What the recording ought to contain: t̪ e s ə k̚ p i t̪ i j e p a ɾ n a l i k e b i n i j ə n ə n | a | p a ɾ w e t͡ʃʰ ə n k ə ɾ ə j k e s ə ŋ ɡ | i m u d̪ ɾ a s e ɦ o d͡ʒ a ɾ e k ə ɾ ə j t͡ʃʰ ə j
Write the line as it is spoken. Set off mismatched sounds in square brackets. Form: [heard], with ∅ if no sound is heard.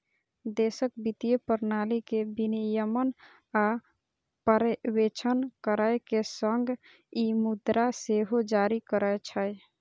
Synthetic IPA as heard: [d̪] e s ə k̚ [b] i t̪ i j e p [ə] ɾ n a l i k e b i n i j ə [m] ə n | a | p [ə] ɾ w e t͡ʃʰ ə n k ə ɾ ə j k e s ə ŋ ɡ | i m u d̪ ɾ a s e ɦ o d͡ʒ a ɾ [i] k ə ɾ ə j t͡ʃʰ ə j